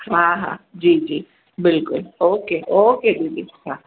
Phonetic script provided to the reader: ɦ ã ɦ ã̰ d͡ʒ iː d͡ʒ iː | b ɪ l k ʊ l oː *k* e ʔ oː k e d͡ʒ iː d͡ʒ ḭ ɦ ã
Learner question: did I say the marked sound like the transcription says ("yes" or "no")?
yes